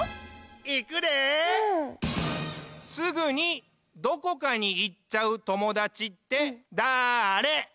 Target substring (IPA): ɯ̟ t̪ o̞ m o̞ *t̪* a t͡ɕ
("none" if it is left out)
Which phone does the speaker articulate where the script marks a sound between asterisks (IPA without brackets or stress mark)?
d̪